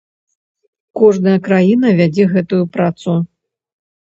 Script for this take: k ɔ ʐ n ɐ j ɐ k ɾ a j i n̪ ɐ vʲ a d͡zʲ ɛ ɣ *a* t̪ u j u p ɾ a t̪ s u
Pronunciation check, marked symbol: incorrect: ɛ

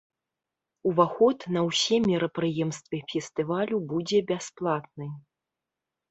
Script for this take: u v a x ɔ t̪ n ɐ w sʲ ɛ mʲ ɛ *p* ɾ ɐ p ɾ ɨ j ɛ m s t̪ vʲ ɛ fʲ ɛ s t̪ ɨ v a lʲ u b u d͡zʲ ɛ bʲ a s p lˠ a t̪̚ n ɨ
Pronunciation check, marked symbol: incorrect: none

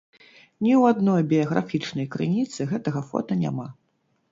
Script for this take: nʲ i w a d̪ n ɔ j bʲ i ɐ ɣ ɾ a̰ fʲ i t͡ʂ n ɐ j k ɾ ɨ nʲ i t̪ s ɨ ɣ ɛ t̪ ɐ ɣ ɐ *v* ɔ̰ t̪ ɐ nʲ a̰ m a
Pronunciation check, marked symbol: incorrect: f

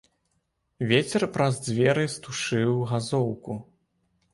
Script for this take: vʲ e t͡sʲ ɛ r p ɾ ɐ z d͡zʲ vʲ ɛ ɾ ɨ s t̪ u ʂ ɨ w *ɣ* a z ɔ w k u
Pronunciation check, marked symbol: correct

